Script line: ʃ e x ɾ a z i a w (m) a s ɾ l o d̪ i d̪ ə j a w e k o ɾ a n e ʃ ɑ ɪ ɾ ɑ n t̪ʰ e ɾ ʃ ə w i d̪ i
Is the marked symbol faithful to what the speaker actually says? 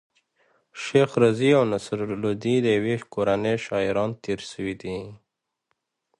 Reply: no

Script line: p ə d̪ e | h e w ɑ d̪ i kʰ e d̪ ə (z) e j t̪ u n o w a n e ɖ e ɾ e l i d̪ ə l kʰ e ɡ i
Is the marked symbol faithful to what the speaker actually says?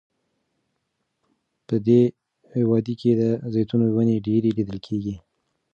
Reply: yes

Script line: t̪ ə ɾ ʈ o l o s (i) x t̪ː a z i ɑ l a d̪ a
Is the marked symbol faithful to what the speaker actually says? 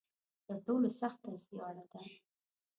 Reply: no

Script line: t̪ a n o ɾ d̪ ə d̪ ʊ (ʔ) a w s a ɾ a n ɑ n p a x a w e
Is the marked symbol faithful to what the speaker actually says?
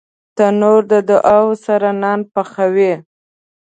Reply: yes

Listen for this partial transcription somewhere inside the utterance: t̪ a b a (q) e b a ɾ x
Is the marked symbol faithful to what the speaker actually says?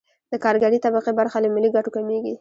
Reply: yes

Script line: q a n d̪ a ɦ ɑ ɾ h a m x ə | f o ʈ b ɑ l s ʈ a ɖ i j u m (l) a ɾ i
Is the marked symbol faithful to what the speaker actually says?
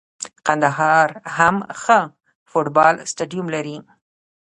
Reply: yes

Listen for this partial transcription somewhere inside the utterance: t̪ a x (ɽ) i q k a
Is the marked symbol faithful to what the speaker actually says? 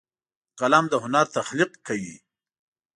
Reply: no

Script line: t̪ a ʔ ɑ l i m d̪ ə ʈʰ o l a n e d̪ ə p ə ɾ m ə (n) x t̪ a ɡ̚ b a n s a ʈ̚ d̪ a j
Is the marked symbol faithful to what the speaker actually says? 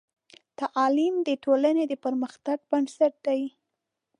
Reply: no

